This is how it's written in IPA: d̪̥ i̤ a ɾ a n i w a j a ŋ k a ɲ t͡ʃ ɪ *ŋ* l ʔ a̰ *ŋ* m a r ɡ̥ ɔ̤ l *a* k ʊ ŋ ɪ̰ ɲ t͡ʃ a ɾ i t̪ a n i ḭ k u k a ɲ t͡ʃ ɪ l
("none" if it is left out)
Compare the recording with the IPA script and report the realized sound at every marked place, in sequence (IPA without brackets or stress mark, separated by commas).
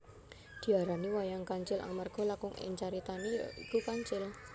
none, ŋ, a